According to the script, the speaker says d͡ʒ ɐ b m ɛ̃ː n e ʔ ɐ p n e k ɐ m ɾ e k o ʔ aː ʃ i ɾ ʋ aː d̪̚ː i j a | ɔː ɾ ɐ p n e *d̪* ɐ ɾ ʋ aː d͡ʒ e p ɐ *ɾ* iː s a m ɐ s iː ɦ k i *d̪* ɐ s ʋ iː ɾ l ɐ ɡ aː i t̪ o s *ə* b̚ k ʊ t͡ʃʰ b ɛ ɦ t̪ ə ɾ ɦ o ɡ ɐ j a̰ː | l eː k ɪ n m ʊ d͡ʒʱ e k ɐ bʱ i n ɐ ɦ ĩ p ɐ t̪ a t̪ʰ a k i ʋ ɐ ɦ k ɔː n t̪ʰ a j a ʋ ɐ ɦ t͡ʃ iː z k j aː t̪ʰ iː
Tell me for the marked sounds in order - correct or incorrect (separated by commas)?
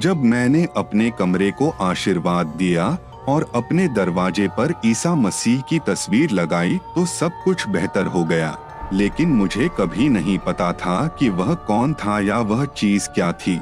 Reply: correct, correct, incorrect, incorrect